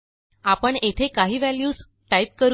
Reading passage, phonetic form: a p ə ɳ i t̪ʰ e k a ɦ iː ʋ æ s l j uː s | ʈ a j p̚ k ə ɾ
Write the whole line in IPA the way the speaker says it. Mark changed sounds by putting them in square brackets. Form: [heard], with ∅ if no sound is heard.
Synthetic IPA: a p ə ɳ [e] t̪ʰ e k a ɦ iː ʋ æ [∅] l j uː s | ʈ a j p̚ k ə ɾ